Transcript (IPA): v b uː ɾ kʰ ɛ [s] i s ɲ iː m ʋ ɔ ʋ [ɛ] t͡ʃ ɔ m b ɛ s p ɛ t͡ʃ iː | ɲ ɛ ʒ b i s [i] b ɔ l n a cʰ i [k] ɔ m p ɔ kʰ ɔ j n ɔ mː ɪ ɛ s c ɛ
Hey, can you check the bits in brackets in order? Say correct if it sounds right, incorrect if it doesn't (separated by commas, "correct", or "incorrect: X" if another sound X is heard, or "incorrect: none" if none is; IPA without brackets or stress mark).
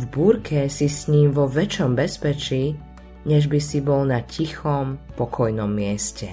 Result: correct, correct, correct, incorrect: x